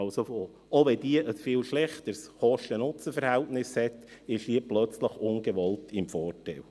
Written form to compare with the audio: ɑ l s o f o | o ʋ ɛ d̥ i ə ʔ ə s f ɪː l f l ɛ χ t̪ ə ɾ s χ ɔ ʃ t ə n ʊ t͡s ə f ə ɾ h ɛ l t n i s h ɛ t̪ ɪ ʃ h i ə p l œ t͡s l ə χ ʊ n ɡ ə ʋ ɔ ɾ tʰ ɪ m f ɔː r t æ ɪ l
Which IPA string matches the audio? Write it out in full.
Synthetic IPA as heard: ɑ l s o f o | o ʋ ɛ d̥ i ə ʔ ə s f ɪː l ʃ l ɛ χ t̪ ə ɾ s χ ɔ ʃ t ə n ʊ t͡s ə f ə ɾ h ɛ l t n ɪ s h ɛ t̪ ɪ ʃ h i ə p l œ t͡s l ə χ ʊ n ɡ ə ʋ ɔ l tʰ ɪ m f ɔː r t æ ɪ l